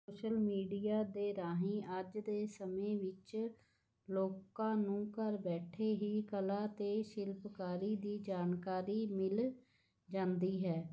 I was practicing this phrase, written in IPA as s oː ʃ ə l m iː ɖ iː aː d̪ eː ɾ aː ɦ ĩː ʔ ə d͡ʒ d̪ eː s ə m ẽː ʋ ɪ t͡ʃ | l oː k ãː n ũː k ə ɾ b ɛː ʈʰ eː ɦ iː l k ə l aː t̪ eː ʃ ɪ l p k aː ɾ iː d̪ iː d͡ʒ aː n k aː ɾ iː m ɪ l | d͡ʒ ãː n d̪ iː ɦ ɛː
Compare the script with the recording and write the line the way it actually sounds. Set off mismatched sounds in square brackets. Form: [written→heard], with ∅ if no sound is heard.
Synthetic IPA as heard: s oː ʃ ə l m iː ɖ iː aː d̪ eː ɾ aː ɦ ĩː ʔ ə d͡ʒ d̪ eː s ə m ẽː ʋ ɪ t͡ʃ | l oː k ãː n ũː k ə ɾ b ɛː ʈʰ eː ɦ iː [l→∅] k ə l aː t̪ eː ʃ ɪ l p k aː ɾ iː d̪ iː d͡ʒ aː n k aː ɾ iː m ɪ l | d͡ʒ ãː n d̪ iː ɦ ɛː